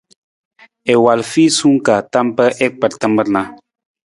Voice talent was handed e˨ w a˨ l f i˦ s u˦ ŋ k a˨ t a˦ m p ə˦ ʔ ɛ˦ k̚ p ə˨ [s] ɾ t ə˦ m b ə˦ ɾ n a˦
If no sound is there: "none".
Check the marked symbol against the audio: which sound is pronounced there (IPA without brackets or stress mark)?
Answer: none